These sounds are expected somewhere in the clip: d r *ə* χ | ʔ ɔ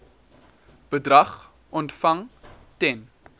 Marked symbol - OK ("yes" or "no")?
no